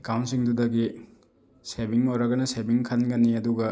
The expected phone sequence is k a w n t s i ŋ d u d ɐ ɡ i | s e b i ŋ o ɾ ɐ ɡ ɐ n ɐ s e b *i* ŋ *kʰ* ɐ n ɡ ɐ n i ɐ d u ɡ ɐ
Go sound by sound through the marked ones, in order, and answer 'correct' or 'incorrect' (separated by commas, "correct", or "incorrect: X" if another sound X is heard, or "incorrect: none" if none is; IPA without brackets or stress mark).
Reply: correct, correct